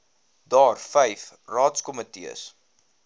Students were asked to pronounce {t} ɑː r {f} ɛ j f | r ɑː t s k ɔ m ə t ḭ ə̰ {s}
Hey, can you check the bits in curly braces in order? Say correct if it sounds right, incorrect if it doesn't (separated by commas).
incorrect, correct, correct